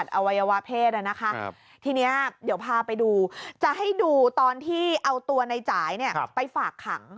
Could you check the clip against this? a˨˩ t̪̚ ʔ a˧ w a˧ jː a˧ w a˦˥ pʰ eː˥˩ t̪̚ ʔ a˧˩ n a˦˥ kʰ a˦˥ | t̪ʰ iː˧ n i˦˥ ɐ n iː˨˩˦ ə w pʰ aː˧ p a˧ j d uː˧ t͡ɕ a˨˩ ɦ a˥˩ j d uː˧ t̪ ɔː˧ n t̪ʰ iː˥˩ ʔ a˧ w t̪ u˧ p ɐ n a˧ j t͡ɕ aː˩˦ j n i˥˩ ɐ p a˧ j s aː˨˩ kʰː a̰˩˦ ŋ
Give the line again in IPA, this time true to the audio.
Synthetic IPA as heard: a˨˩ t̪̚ ʔ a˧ w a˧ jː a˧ w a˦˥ pʰ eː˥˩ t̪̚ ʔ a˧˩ n a˦˥ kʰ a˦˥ | t̪ʰ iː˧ n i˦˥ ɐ d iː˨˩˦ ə w pʰ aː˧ p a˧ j d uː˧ t͡ɕ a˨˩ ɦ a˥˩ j d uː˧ t̪ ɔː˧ n t̪ʰ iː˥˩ ʔ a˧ w t̪ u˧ ɐ n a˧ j t͡ɕ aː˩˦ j n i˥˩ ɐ p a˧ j f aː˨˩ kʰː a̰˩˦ ŋ